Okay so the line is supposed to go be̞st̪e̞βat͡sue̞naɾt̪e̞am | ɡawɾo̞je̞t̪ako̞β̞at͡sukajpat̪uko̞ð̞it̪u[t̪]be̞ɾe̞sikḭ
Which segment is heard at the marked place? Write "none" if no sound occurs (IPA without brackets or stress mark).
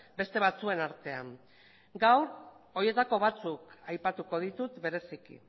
t̪